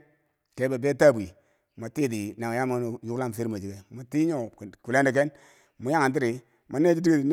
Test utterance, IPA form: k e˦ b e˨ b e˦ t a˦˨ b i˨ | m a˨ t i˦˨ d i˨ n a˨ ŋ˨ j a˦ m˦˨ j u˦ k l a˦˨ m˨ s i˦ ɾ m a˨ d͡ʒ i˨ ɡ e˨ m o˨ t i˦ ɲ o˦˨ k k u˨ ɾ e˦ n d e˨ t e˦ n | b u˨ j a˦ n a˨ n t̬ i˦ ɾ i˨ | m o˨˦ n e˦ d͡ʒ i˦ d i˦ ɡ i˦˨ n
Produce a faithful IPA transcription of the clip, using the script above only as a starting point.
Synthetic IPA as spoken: k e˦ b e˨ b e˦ t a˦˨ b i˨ | m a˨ t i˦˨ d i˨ n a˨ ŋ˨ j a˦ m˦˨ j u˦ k l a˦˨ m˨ s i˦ ɾ m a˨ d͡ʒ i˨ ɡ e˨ m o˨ t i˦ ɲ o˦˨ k k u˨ l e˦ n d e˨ k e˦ n | m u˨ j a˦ ŋ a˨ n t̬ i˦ ɾ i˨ | m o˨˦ n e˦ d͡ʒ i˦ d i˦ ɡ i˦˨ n

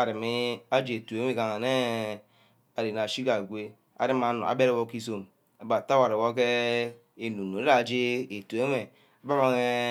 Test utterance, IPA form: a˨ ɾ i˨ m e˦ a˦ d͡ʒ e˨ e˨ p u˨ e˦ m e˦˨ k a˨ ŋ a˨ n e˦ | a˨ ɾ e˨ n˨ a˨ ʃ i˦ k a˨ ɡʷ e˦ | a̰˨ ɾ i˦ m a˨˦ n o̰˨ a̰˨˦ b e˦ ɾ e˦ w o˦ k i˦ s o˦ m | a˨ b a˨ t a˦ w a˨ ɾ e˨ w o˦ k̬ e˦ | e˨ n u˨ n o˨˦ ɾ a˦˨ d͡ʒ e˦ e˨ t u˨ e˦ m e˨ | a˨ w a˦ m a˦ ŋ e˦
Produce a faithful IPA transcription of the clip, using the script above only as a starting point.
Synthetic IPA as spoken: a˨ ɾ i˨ m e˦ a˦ d͡ʒ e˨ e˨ t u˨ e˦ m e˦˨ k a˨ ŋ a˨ n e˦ | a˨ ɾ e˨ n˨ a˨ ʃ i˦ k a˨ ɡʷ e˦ | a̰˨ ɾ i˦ m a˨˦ n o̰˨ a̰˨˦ b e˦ ɾ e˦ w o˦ k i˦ s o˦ m | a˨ b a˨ t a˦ w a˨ ɾ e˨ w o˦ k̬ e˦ | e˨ n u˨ n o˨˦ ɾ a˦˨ d͡ʒ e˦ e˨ t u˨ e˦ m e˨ | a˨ b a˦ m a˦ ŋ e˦

